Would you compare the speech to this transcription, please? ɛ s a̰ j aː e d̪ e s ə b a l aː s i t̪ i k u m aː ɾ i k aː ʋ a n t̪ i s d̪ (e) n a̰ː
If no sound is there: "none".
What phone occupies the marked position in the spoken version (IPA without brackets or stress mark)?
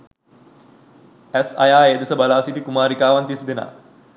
e